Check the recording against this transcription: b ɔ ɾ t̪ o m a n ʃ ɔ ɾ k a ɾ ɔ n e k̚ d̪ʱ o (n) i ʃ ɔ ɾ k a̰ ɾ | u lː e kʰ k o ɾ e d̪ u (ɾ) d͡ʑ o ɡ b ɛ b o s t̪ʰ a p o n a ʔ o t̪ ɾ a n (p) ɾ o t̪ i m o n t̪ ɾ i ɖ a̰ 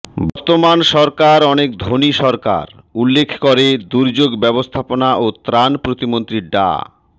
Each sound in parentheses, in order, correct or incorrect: correct, correct, correct

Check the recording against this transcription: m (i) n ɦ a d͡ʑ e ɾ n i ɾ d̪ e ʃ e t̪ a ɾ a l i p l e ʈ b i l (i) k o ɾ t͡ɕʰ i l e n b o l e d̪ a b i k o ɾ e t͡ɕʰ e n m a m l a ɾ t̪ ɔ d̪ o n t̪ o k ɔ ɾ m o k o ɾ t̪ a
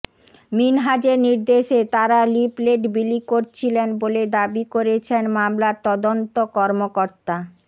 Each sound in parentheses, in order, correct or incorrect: correct, correct

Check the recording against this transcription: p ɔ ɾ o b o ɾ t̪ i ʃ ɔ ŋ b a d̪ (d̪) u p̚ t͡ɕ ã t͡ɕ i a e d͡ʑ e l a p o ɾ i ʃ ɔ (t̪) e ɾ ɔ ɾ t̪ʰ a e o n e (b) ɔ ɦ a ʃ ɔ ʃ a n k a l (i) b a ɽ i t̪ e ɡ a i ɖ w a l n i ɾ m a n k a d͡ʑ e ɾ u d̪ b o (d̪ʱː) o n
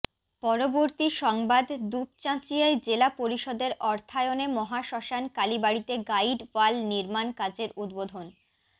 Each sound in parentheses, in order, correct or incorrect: correct, incorrect, incorrect, correct, incorrect

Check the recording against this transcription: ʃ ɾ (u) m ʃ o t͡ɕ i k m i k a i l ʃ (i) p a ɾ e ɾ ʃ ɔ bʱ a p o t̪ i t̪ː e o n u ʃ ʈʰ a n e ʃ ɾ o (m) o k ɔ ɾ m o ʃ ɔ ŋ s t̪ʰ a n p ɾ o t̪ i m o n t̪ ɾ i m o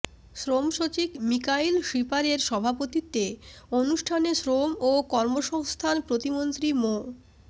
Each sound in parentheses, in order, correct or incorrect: incorrect, correct, correct

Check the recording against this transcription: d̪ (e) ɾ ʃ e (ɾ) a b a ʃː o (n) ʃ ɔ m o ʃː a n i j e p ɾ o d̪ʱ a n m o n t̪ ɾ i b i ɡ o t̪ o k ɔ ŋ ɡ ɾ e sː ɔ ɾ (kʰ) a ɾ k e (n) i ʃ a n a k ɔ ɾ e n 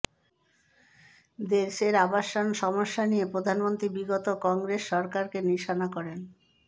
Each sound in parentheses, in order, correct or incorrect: correct, correct, correct, incorrect, correct

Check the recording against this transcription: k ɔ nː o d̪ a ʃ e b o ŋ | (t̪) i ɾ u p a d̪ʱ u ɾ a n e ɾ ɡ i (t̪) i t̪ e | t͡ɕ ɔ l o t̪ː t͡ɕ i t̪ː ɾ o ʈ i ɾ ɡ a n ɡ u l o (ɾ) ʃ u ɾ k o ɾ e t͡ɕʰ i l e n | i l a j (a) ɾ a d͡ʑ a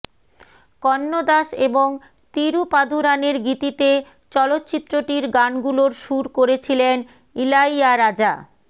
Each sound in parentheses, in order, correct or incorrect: correct, correct, correct, correct

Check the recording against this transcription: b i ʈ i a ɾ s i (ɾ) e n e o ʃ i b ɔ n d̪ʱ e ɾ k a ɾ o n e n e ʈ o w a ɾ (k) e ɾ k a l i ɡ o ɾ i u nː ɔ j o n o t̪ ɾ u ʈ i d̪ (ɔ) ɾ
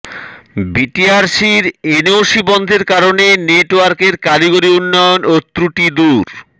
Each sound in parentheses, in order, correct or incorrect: correct, correct, incorrect

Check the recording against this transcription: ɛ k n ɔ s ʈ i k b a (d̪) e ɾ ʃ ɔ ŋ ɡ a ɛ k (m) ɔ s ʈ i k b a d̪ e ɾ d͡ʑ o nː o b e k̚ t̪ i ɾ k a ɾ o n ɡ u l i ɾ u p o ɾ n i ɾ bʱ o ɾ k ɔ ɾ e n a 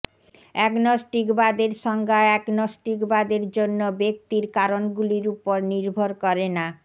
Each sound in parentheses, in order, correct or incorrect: correct, incorrect

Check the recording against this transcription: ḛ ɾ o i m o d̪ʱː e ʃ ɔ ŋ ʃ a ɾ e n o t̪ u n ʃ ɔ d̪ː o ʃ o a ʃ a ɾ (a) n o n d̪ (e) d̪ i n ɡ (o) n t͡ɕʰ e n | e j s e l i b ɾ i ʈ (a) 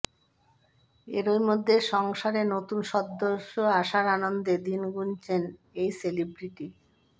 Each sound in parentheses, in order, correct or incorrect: correct, correct, incorrect, incorrect

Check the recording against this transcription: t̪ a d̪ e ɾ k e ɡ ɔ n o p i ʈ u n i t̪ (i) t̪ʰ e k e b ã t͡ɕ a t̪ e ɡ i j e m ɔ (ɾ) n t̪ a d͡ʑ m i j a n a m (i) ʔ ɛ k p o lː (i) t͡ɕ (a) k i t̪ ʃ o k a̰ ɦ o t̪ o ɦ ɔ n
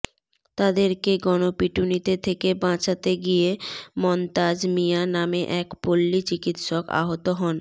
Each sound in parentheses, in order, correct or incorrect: incorrect, incorrect, incorrect, correct, incorrect

